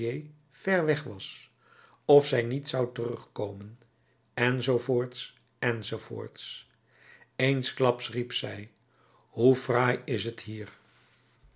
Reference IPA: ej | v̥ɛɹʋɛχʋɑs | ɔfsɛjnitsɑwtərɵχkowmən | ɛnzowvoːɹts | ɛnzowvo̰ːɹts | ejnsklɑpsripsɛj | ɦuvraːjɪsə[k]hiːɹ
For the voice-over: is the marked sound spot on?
no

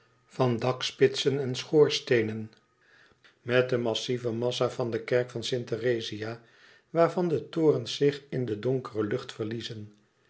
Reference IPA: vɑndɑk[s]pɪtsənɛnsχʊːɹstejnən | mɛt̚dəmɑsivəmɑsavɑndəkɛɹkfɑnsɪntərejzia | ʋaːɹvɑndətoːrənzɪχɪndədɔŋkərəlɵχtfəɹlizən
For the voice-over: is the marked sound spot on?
yes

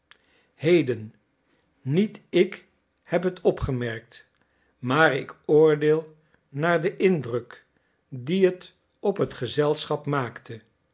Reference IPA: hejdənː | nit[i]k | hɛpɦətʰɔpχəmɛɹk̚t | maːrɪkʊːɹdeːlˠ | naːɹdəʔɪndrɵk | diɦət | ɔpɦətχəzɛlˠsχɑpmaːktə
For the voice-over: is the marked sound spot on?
no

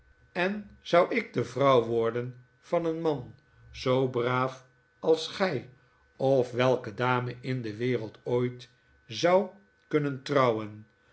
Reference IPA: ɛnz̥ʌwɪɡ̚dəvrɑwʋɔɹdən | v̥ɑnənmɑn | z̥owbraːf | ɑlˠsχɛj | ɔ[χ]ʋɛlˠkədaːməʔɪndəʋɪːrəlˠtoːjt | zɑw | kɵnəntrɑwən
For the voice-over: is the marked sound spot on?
no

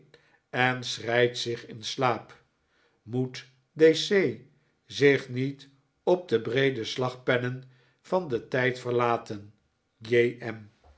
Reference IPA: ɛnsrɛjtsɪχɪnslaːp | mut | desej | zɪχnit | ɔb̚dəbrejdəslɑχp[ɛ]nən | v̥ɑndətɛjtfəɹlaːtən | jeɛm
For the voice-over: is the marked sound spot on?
yes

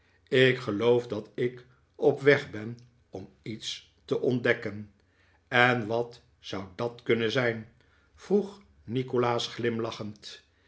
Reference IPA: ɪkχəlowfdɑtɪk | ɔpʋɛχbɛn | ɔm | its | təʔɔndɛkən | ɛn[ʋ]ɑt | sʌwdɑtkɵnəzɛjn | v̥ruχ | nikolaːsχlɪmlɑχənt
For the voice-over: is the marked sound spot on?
yes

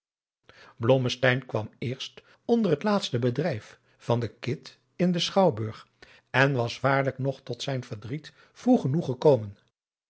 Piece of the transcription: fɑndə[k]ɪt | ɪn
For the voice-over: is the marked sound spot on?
yes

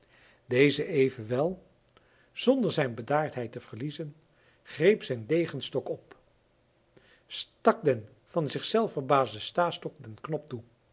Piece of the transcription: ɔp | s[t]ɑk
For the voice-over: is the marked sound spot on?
yes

